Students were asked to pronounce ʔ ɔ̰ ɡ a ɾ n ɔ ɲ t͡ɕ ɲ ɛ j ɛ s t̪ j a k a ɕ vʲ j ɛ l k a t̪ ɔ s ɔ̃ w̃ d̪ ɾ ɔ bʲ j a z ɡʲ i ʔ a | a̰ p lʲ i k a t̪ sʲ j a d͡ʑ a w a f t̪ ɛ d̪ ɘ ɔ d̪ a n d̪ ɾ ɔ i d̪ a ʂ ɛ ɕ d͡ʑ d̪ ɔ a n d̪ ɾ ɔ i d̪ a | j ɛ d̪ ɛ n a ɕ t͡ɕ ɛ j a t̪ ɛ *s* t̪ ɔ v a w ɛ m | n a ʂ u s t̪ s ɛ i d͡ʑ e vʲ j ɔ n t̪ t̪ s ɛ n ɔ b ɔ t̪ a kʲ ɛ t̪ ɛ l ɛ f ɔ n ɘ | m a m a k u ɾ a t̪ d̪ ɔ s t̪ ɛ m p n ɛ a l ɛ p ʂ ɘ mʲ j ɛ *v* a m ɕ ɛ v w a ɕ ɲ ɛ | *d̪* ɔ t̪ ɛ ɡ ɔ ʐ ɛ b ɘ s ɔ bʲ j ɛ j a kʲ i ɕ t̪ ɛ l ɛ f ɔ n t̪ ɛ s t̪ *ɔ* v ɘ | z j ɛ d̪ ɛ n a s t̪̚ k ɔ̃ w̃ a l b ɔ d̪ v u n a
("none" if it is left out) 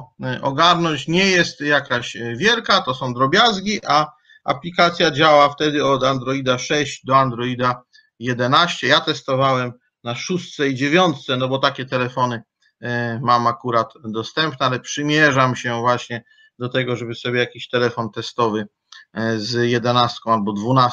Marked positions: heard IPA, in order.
s, ʐ, d̪, ɔ

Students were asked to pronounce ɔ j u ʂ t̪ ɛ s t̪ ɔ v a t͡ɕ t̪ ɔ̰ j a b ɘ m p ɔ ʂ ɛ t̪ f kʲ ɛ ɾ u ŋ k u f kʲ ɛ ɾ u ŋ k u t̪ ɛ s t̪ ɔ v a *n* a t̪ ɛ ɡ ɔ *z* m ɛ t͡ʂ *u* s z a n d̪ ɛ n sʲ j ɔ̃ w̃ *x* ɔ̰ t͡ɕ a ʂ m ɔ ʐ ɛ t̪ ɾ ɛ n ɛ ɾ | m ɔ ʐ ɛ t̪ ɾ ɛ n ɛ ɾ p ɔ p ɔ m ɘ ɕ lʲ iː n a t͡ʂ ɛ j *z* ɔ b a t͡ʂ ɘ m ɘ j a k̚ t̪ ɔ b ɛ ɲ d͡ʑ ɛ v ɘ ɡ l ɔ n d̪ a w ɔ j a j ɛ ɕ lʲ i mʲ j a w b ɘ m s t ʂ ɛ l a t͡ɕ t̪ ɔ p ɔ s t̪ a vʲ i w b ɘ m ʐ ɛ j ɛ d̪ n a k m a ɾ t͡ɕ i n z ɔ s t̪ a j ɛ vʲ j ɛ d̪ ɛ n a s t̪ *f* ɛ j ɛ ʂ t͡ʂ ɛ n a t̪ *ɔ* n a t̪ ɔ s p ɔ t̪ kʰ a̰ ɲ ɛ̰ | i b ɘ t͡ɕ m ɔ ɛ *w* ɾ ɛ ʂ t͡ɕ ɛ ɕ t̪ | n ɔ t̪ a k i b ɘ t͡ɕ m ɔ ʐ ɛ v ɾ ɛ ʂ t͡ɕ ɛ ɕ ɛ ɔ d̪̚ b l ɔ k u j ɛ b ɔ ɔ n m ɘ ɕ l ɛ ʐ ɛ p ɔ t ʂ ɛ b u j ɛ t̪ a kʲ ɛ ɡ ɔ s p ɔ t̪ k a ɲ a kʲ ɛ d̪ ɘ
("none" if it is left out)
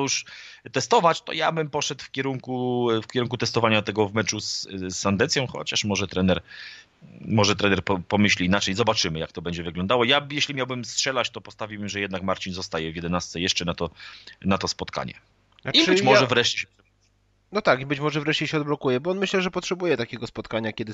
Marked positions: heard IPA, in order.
ɲ, v, u, x, z, s, ɔ, v

